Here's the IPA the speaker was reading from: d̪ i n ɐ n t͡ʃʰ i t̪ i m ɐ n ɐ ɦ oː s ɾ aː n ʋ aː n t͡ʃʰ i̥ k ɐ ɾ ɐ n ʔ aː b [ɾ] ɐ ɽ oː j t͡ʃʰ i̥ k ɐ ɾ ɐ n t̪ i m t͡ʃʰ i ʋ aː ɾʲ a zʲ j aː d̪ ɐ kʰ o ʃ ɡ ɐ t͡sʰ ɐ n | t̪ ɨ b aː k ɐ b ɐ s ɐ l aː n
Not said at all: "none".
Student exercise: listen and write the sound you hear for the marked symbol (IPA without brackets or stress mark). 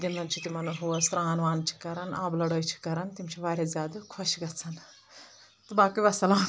l